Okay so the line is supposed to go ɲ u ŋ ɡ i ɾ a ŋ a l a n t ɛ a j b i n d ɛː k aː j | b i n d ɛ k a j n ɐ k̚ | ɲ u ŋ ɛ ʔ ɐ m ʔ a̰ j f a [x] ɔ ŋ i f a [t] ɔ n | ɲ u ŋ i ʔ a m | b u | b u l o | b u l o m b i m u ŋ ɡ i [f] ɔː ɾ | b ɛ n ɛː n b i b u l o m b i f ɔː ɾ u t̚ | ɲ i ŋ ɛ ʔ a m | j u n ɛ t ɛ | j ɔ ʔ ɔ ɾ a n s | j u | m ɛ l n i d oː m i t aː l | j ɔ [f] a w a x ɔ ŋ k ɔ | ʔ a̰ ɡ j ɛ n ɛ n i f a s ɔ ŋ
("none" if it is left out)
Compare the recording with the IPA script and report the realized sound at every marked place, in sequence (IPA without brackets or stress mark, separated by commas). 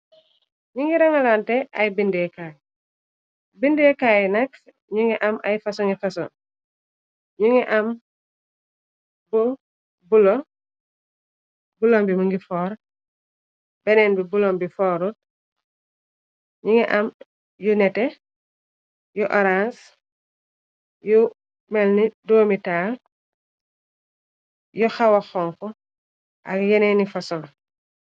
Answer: s, s, f, x